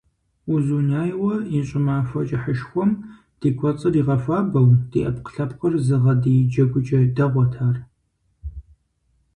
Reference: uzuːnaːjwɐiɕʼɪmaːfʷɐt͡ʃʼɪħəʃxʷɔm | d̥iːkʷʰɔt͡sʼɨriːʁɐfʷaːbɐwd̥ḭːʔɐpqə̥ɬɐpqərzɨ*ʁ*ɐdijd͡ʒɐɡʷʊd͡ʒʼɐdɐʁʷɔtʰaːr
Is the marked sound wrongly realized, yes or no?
no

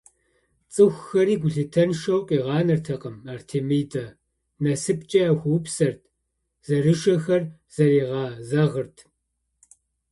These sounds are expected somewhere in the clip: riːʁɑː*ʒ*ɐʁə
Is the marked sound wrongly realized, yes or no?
yes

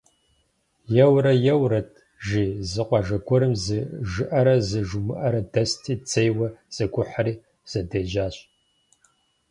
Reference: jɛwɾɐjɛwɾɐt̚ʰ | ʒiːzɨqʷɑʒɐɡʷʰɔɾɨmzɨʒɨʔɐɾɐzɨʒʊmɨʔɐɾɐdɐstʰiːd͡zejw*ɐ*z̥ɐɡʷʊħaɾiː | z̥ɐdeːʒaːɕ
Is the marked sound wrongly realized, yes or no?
no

